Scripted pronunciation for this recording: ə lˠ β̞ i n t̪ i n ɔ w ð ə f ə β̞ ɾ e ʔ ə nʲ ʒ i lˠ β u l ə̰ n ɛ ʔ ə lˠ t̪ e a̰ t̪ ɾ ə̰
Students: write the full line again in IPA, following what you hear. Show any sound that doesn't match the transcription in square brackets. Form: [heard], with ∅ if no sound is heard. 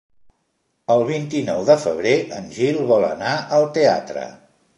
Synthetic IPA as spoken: ə lˠ β̞ i n t̪ i n ɔ w ð ə f ə β̞ ɾ e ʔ ə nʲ ʒ i lˠ β [ɔ] l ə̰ n [a] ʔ ə lˠ t̪ e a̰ t̪ ɾ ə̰